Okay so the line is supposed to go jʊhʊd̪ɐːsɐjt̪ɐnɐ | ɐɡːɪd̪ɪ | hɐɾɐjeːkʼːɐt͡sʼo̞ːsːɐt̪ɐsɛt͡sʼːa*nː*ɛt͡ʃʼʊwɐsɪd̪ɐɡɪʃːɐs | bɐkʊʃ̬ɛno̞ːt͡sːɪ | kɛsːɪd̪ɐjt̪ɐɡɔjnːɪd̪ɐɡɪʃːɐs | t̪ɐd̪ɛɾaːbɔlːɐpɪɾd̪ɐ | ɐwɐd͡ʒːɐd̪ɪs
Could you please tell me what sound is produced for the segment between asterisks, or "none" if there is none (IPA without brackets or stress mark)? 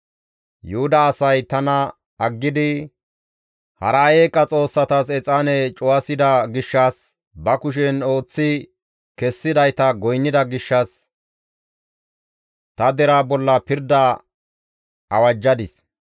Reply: n